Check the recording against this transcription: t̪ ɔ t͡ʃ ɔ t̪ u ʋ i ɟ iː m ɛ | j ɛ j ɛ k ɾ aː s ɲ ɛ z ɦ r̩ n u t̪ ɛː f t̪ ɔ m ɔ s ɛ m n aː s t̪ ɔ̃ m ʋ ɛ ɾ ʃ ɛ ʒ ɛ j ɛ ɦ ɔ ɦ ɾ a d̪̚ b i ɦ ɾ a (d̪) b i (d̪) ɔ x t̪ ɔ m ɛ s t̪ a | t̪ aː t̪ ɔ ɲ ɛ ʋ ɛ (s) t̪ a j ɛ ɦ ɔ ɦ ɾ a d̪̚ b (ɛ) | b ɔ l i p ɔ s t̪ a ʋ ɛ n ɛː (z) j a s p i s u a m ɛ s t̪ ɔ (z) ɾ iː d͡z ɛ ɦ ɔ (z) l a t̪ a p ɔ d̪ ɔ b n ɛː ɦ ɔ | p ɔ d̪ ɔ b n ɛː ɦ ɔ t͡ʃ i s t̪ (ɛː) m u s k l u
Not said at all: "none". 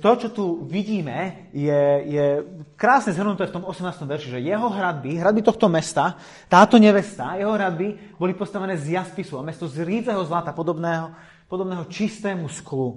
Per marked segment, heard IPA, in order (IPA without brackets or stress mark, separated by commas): d̪, t̪, s, i, z, z, z, ɛː